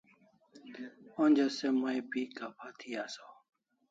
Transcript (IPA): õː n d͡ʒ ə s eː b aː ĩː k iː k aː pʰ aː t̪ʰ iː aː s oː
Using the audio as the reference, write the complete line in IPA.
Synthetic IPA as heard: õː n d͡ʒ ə s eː m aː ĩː p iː k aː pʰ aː t̪ʰ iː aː s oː